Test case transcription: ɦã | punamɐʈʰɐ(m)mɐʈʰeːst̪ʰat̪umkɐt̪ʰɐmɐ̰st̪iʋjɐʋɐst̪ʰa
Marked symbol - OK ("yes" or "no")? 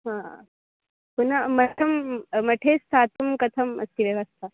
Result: yes